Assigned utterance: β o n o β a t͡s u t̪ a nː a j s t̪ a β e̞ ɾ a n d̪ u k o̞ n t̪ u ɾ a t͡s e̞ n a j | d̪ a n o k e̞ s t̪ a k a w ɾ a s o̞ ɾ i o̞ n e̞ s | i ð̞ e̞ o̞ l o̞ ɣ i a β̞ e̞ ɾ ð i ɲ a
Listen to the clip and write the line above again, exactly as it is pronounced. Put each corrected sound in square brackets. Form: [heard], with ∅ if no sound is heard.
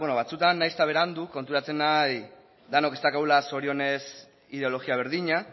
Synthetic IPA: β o n o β a t͡s u t̪ a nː a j s t̪ a β e̞ ɾ a n d̪ u k o̞ n t̪ u ɾ a t͡s e̞ n a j | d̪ a n o k e̞ s t̪ a k a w [l] a s o̞ ɾ i o̞ n e̞ s | i ð̞ e̞ o̞ l o̞ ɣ i a β̞ e̞ ɾ ð i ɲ a